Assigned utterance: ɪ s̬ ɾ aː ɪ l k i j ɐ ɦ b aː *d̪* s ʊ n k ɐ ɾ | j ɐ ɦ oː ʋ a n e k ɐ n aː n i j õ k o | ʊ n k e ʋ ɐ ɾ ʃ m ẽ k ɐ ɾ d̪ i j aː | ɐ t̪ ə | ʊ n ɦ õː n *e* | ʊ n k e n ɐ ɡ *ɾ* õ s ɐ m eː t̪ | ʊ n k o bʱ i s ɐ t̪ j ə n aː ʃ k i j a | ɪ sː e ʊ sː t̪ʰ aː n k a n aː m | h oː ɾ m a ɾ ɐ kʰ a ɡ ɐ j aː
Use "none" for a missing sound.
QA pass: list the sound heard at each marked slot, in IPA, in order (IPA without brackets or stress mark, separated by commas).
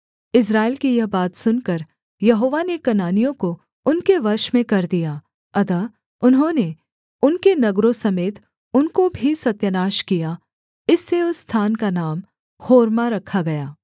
t̪, e, ɾ